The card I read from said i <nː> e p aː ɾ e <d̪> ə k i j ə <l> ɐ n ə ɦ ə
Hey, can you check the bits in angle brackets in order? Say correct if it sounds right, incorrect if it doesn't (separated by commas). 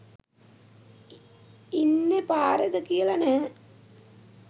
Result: correct, correct, correct